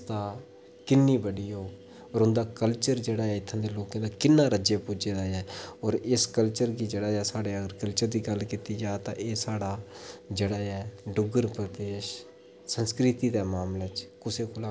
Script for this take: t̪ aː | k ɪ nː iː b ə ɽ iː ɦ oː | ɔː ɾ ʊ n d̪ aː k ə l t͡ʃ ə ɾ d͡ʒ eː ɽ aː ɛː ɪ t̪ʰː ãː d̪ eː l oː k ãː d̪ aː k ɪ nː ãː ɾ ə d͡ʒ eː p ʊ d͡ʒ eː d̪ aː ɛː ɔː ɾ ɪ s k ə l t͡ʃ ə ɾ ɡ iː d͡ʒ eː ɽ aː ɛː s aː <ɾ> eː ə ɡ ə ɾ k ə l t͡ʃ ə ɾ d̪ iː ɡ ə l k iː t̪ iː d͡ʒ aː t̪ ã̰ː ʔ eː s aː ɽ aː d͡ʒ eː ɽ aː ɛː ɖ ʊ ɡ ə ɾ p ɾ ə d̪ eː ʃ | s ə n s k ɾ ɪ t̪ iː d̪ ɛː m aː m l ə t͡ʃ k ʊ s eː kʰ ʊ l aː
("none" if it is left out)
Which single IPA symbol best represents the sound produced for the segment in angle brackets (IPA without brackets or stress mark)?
ɽ